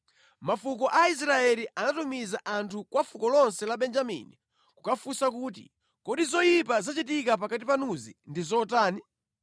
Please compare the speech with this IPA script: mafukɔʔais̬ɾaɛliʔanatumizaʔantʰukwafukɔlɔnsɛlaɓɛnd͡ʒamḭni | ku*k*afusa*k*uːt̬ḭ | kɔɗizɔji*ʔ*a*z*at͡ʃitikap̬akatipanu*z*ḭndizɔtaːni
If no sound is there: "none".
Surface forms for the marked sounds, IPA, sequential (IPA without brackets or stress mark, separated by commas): k, k, p, z, z